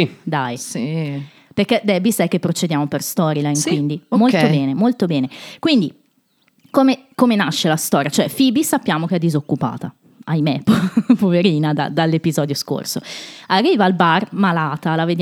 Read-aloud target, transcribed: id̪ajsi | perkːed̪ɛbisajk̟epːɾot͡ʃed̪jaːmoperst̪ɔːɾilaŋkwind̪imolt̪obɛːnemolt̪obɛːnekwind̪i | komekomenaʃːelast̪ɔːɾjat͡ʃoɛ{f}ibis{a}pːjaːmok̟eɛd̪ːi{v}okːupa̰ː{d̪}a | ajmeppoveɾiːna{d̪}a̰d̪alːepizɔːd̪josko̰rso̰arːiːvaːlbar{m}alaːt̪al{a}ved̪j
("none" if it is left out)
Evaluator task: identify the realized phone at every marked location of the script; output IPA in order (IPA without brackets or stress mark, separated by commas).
f, a, z, t̪, d̪, m, a